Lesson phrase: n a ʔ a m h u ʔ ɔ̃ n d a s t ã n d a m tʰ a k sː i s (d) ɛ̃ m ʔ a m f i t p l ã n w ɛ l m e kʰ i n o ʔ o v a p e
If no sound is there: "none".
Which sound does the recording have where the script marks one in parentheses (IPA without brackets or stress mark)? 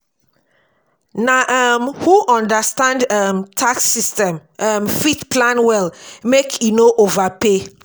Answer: t